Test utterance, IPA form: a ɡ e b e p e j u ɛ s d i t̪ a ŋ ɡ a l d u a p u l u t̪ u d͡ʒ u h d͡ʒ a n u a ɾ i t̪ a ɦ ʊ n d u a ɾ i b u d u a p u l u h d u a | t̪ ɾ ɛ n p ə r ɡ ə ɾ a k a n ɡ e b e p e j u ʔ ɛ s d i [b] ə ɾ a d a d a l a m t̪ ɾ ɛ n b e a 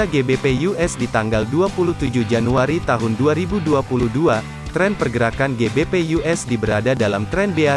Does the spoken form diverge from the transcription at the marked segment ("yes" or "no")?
no